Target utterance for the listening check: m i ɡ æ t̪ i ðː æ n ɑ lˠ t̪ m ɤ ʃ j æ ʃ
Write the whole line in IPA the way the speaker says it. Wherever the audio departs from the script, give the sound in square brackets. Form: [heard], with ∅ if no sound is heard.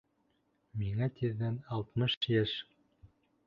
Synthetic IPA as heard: m i [ŋ] æ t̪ i ðː æ n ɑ lˠ t̪ m ɤ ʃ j æ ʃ